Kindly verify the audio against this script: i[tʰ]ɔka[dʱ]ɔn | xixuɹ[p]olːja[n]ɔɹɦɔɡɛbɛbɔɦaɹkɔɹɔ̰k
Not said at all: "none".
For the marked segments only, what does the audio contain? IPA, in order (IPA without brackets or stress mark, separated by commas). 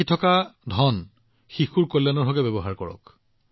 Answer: tʰ, dʱ, k, n